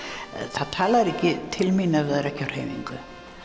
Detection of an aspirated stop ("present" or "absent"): present